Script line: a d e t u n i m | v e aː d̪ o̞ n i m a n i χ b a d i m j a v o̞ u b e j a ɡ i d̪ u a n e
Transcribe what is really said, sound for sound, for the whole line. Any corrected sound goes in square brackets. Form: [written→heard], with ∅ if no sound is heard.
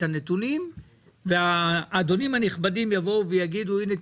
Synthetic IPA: a [d→n] e t u n i m | v e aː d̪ o̞ n i m a n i χ b a d i m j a v o̞ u [b→v] e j a ɡ i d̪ u [a→i] n e

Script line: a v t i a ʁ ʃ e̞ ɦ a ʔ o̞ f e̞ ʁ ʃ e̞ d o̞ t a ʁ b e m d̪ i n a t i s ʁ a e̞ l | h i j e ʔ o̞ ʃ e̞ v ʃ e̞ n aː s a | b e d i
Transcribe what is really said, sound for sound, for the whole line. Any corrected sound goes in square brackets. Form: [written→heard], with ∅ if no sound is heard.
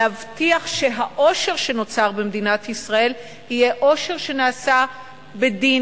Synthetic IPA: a v t i a [ʁ→χ] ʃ e̞ ɦ a ʔ o̞ [f→ʃ] e̞ ʁ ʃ e̞ [d→n] o̞ [t→t͡s] a ʁ b e m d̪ i n a t i s ʁ a e̞ l | h i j e ʔ o̞ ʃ e̞ [v→ʁ] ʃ e̞ n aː s a | b e d i

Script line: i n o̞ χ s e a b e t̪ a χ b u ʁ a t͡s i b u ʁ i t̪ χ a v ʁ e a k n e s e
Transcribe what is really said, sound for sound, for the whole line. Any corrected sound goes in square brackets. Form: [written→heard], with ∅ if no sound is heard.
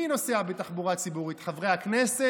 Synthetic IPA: i n o̞ [χ→∅] s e a b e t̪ a χ b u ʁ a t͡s i b u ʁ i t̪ χ a v ʁ e a k n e s e

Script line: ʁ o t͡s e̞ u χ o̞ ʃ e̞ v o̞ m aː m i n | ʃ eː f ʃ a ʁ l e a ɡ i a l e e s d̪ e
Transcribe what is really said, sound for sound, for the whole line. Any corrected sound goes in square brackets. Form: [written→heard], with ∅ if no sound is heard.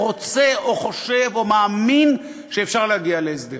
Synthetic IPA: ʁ o t͡s e̞ [u→o] χ o̞ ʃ e̞ v o̞ m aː m i n | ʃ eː f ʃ a ʁ l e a ɡ i a l e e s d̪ e

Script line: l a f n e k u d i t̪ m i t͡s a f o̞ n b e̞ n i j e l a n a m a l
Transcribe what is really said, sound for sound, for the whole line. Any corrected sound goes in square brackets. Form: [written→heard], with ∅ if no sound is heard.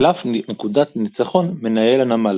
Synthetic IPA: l a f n e k u d [i→a] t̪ [m→n] i t͡s a [f→χ] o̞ n [b→m] e̞ n [i→a] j e l a n a m a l

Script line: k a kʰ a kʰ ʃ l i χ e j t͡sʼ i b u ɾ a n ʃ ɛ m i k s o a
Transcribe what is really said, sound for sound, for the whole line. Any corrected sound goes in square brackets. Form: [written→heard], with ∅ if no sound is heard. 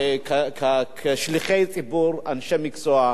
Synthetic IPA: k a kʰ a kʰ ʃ l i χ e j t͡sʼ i b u ɾ a n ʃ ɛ m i k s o a

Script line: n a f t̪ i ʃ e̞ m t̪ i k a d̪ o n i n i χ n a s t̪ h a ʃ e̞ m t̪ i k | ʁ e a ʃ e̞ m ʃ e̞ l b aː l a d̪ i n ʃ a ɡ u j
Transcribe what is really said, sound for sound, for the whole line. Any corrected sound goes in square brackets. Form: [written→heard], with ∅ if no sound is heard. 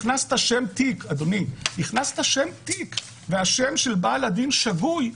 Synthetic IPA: n a [f→s] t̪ [i→a] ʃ e̞ m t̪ i k a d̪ o n i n i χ n a s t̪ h a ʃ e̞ m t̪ i k | [ʁ→v] e a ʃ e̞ m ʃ e̞ l b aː l a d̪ i n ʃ a ɡ u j

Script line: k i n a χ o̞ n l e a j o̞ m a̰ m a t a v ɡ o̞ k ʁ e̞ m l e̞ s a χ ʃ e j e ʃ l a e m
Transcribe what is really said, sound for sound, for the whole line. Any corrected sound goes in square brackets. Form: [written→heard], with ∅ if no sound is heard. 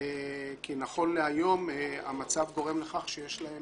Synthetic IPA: k i n a χ o̞ n l e a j o̞ m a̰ m a [t→t͡s] a v ɡ o̞ [k→∅] ʁ e̞ m l e̞ [s→χ] a χ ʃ e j e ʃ l a e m

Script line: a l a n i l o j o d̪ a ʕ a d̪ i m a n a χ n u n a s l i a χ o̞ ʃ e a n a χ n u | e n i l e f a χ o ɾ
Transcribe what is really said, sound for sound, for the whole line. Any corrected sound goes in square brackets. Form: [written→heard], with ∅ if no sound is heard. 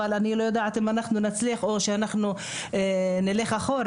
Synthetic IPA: a l a n i l o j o d̪ a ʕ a [d̪→t̪] i m a n a χ n u n a [s→t͡s] l i a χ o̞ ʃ e a n a χ n u | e n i l e [f→χ] a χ o ɾ

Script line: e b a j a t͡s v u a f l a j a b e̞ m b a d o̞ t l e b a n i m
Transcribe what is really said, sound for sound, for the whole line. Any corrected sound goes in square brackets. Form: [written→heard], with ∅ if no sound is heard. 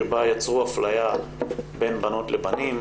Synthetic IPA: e b a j a t͡s [v→ʁ] u a f l a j a b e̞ [m→n] b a [d→n] o̞ t l e b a n i m

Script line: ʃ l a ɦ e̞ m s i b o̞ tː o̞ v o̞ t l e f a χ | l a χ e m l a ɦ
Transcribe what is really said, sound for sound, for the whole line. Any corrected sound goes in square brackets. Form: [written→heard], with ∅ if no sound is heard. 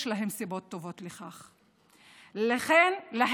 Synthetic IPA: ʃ l a ɦ e̞ m s i b o̞ tː o̞ v o̞ t l e [f→χ] a χ | l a χ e [m→n] l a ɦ

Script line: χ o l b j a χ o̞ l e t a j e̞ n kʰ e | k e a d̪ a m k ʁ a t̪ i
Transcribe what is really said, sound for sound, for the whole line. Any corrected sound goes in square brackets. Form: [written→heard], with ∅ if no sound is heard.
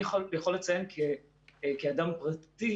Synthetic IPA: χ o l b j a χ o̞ l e [t→t͡s] a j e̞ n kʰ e | k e a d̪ a m [k→p] ʁ a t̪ i

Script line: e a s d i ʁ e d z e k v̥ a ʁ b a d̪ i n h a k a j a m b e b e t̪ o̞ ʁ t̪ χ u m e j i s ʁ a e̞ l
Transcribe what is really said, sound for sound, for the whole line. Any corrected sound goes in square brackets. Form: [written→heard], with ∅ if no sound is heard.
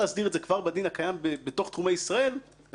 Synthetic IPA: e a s d i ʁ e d z e k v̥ a ʁ b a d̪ i n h a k a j a m b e b e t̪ o̞ [ʁ→χ] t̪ χ u m e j i s ʁ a e̞ l

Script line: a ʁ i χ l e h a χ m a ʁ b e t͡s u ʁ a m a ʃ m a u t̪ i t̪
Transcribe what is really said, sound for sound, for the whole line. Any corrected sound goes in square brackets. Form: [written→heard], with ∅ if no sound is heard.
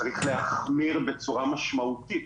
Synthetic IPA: a ʁ i χ l e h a χ m [a→i] ʁ b e t͡s u ʁ a m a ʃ m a u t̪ i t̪

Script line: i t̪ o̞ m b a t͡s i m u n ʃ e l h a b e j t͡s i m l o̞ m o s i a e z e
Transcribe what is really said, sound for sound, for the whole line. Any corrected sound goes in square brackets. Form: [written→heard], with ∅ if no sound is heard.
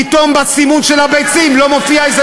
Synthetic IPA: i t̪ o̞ m b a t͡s i m u n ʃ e l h a b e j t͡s i m l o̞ m o [s→f] i a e z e

